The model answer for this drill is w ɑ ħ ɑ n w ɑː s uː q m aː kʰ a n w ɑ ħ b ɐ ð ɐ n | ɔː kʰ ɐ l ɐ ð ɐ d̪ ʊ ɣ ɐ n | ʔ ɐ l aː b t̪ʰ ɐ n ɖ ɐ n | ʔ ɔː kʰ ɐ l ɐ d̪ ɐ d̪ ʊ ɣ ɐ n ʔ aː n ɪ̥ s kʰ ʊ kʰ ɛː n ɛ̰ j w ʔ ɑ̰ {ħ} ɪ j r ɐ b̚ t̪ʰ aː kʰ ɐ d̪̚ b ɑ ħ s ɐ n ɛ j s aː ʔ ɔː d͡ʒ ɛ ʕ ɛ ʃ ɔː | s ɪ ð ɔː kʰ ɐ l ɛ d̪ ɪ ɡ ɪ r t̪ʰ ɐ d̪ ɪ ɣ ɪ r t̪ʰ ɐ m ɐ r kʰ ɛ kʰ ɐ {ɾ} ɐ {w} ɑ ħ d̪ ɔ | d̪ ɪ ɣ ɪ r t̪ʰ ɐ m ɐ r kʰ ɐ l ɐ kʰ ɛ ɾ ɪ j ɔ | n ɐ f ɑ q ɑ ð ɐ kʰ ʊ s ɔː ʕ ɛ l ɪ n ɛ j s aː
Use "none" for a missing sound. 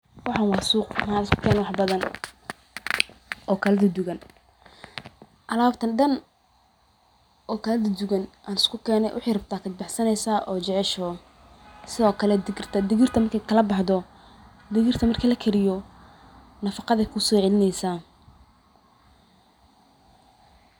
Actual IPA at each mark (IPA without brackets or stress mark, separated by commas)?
ħ, l, b